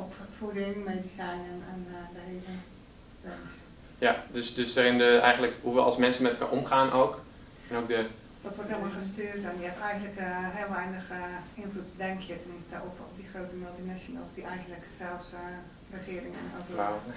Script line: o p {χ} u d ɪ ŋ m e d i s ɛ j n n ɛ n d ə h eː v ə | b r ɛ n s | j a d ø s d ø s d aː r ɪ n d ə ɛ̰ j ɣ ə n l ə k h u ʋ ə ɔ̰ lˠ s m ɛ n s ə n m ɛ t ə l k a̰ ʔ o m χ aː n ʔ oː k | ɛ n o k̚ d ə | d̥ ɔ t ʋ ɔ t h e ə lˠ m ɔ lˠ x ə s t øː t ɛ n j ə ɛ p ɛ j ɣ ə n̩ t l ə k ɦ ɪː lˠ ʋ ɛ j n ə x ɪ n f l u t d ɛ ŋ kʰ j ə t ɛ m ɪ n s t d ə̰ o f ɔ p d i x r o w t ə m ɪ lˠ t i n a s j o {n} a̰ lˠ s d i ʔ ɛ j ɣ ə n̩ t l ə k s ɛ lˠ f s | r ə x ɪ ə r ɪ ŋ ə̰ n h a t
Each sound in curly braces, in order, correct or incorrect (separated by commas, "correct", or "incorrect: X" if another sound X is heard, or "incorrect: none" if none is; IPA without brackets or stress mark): incorrect: f, correct